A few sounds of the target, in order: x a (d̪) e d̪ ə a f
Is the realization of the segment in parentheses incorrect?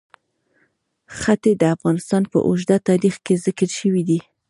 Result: yes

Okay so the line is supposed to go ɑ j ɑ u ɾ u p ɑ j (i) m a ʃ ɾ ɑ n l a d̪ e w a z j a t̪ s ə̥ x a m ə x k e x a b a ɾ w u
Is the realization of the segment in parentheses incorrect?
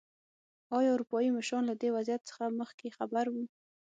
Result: no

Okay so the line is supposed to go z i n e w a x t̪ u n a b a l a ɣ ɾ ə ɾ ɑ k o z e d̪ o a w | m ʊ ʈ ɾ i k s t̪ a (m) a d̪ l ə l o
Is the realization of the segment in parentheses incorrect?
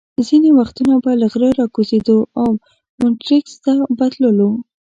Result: yes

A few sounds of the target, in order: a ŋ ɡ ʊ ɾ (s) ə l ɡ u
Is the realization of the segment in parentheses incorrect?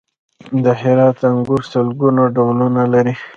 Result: no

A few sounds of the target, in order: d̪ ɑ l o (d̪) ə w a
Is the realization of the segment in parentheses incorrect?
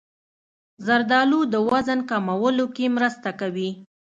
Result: no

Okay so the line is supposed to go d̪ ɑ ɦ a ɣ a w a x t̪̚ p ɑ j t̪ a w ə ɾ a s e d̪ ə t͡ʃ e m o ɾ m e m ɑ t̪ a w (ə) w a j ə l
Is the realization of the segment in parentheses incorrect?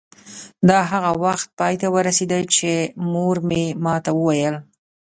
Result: no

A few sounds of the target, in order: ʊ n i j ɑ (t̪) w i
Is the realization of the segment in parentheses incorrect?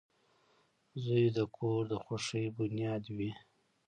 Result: yes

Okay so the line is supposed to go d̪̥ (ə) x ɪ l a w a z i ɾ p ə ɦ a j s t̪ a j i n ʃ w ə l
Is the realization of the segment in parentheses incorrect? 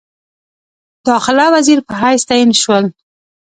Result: yes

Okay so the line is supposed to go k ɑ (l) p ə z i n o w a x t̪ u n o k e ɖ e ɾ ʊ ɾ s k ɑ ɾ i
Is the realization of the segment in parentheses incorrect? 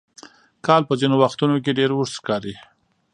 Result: no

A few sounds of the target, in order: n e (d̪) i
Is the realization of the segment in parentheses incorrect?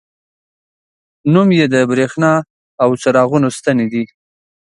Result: no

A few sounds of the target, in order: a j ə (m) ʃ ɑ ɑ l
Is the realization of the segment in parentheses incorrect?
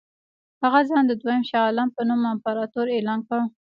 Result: no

